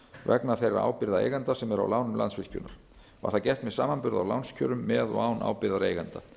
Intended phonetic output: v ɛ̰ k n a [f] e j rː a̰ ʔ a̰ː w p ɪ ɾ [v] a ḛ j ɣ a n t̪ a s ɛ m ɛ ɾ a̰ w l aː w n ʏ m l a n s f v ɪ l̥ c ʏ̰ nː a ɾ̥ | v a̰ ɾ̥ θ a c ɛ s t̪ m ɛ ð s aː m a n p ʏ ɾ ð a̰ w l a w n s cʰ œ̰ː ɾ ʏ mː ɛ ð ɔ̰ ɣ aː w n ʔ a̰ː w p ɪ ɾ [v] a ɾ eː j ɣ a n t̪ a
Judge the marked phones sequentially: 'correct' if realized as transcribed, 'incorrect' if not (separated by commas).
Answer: incorrect, incorrect, incorrect